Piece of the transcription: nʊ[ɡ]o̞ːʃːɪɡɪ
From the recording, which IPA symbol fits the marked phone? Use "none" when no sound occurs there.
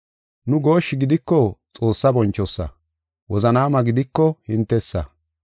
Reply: ɡ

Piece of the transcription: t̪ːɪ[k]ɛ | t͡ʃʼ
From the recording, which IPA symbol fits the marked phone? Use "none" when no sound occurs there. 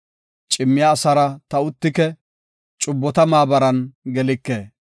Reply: k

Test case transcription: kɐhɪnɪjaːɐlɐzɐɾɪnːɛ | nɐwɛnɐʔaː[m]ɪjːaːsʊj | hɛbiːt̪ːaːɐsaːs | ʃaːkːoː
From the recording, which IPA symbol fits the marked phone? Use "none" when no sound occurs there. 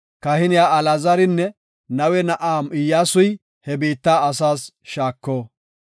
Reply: m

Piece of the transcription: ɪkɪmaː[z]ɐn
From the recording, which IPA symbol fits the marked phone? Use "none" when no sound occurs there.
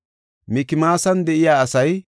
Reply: s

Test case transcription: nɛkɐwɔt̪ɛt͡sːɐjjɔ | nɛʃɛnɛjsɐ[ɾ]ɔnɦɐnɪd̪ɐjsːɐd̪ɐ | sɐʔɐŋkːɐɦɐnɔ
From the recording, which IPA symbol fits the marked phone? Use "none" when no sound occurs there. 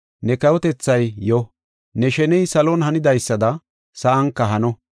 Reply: l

